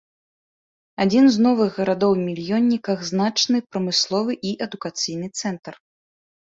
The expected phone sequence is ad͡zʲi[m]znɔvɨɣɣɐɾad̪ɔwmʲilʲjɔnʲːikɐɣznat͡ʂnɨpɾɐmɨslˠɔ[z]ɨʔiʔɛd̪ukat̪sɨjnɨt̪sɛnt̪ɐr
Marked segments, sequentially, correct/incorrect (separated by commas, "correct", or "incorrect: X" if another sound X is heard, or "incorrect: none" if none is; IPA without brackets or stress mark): incorrect: n, incorrect: v